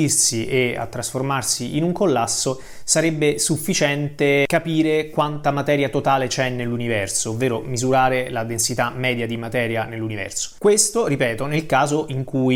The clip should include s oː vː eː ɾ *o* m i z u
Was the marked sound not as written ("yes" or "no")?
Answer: no